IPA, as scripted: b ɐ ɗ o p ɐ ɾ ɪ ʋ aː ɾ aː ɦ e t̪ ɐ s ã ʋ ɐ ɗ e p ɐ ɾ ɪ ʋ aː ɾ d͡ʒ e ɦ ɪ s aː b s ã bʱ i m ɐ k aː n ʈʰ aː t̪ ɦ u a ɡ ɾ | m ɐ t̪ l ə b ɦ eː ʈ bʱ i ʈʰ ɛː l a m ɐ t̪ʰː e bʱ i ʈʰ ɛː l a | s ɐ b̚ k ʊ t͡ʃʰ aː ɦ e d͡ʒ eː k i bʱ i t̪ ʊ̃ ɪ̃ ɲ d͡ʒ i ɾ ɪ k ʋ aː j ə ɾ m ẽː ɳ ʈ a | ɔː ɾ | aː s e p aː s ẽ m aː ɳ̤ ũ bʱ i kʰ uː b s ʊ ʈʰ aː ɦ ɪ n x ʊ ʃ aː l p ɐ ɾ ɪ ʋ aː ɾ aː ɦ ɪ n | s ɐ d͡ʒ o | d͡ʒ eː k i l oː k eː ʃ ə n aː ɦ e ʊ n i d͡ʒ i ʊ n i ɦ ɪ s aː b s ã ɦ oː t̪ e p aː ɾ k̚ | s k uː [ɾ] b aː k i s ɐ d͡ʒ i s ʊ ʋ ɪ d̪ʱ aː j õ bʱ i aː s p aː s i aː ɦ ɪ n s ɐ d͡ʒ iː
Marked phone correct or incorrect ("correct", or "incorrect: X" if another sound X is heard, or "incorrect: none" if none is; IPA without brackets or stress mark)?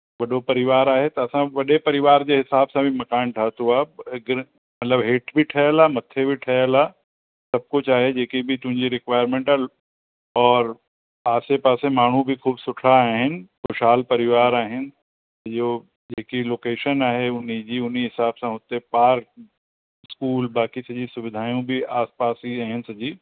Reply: incorrect: l